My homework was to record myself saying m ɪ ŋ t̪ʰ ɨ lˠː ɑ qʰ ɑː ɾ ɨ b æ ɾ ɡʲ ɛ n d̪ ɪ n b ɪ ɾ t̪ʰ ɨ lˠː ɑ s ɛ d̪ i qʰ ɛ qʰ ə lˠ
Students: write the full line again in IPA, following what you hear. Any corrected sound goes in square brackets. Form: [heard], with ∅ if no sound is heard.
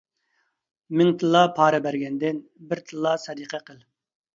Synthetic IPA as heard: m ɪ ŋ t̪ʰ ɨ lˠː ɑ [pʰ] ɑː ɾ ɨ b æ ɾ ɡʲ ɛ n d̪ ɪ n b ɪ ɾ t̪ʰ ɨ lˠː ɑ s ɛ d̪ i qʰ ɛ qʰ ə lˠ